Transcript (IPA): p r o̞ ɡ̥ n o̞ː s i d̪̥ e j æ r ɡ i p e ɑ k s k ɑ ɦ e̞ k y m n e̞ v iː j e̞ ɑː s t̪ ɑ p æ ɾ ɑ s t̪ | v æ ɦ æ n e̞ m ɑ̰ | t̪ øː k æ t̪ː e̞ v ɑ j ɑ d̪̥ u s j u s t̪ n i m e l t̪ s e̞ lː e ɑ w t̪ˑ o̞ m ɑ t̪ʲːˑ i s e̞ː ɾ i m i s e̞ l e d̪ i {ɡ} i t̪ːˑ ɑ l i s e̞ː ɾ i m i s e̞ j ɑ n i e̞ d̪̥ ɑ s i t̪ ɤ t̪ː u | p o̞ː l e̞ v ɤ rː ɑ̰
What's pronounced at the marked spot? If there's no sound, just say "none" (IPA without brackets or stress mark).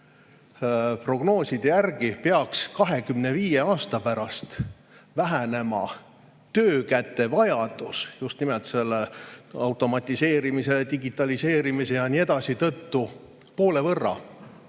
ɡ